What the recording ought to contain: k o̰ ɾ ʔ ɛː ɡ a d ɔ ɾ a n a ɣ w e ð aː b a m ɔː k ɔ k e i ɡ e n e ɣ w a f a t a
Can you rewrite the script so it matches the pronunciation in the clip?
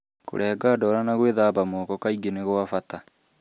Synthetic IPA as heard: k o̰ ɾ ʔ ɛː ɡ a d ɔ ɾ a n a ɣ w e ð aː b a m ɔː k ɔ k a i ɡ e n e ɣ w a f a t a

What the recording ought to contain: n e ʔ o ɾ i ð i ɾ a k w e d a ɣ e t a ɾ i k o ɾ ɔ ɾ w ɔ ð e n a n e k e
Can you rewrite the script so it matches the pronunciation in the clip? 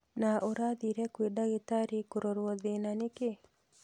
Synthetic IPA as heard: n a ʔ o ɾ a ð i ɾ ɛ k w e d a ɣ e t a ɾ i k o ɾ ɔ ɾ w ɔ ð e n a n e k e

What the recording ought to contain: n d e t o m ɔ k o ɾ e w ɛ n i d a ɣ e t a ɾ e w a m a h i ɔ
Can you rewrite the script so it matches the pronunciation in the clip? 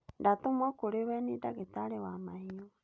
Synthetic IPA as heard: n d a t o m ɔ k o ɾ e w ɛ n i d a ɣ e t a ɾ e w a m a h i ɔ

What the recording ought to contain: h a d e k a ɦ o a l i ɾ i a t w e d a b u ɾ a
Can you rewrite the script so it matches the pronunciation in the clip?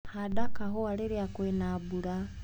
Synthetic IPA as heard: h a d a k a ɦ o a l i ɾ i a k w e n a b u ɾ a

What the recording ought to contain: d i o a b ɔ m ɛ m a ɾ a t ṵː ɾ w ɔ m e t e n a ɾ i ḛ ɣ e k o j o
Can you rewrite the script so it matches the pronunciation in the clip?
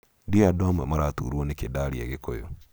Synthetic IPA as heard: d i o a d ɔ m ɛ m a ɾ a t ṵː ɾ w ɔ n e k e d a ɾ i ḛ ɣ e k o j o

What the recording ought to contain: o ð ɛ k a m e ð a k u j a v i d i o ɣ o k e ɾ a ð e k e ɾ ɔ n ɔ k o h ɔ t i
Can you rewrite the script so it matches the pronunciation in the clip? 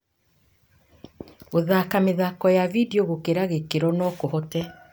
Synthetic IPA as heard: o ð a k a m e ð a k ɔ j a v i d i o ɣ o k e ɾ a ɣ e k e ɾ ɔ n ɔ k o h ɔ t ɛ

